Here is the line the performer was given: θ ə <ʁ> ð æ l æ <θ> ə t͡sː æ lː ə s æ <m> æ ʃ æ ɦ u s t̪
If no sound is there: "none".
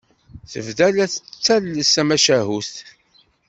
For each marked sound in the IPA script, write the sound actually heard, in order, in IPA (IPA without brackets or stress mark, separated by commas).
v, θ, m